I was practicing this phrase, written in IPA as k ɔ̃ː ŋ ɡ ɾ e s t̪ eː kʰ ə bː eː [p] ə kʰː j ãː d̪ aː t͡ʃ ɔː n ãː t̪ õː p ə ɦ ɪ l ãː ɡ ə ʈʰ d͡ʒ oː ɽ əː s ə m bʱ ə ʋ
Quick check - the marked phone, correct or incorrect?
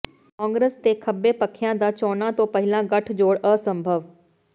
correct